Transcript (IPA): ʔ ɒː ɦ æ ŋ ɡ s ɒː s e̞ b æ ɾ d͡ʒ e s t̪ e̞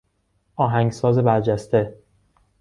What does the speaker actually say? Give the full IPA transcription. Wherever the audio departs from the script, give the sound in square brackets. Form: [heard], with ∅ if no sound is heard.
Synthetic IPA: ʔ ɒː ɦ æ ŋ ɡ s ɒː [z] e̞ b æ ɾ d͡ʒ [æ] s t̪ e̞